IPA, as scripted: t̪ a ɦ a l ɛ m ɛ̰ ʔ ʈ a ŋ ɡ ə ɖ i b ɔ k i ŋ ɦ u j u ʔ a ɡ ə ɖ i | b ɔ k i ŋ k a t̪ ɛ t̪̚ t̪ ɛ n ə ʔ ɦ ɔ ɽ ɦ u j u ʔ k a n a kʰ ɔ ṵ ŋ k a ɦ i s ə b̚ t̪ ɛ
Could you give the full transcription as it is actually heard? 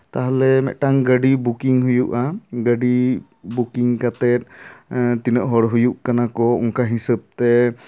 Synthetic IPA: t̪ a ɦ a l ɛ m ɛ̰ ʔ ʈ a ŋ ɡ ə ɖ i b u k i ŋ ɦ u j u ʔ a ɡ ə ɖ i | b u k i ŋ k a t̪ ɛ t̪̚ t̪ i n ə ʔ ɦ ɔ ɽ ɦ u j u ʔ k a n a k ɔ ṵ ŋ k a ɦ i s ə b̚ t̪ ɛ